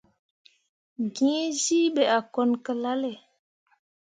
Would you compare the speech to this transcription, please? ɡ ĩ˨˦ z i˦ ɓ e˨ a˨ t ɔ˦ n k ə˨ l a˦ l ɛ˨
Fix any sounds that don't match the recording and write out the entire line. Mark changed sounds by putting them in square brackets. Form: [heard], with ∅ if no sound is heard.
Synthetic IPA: ɡ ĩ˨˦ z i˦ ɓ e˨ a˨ [k] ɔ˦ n k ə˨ l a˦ l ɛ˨